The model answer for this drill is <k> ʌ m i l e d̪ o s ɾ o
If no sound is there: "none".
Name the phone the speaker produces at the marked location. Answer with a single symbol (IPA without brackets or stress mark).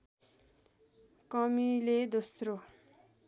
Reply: k